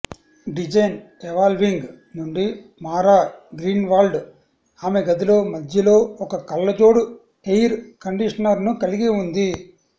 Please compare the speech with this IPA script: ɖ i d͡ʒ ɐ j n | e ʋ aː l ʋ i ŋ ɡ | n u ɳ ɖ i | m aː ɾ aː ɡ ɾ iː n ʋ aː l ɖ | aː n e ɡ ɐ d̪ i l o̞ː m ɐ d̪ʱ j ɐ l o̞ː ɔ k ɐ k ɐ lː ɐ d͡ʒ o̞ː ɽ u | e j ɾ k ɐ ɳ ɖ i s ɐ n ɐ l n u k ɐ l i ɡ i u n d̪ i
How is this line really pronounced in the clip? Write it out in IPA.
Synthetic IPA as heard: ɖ i d͡ʒ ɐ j n | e ʋ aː l ʋ i ŋ ɡ | n u ɳ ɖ i | m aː ɾ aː ɡ ɾ iː n ʋ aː l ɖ | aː m e ɡ ɐ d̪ i l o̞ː m ɐ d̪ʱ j ɐ l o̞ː ɔ k ɐ k ɐ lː ɐ d͡ʒ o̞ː ɽ u | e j ɾ k ɐ ɳ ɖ i ʂ ɐ n ɐ ɾ n u k ɐ l i ɡ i u n d̪ i